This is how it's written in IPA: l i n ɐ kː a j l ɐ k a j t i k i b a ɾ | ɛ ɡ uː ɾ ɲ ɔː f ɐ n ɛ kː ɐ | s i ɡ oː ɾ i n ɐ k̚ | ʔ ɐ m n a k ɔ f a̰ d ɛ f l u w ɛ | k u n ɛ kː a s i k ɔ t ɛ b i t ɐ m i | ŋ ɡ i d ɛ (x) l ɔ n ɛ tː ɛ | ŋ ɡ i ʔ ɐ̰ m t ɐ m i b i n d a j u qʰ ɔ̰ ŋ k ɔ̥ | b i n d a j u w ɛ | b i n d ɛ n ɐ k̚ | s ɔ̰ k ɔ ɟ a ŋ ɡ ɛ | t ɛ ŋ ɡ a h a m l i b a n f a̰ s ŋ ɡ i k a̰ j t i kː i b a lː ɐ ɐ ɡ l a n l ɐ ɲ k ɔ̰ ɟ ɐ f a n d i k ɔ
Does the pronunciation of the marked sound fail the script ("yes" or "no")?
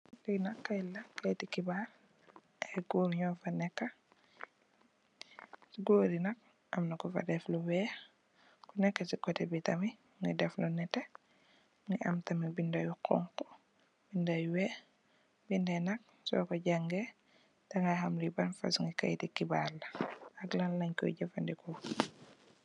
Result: yes